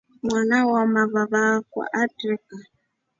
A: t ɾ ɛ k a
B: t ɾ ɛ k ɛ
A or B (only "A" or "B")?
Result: A